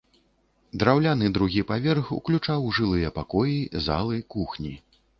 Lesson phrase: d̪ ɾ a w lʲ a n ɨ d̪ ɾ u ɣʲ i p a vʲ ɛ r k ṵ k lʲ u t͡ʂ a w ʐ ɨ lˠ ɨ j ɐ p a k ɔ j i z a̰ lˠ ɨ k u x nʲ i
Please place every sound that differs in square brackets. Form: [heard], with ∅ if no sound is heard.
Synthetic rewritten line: d̪ ɾ a w lʲ a n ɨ d̪ ɾ u ɣʲ i p a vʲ ɛ r [x] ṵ k lʲ u t͡ʂ a w ʐ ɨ lˠ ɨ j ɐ p a k ɔ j i z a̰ lˠ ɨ k u x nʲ i